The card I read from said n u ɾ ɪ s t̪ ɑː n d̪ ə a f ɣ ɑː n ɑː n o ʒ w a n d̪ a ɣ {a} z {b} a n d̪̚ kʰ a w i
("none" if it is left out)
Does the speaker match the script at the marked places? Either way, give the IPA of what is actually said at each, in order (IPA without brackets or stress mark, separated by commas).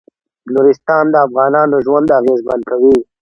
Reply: e, b